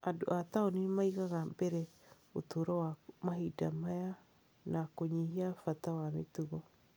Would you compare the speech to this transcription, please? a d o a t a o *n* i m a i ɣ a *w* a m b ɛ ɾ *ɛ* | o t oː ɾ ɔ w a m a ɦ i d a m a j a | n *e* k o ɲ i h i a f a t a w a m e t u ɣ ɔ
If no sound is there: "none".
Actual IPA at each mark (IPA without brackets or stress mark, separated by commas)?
n, ɣ, ɛ, a